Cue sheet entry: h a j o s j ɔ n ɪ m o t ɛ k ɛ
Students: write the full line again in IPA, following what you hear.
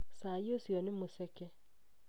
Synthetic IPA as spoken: s a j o s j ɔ n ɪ m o s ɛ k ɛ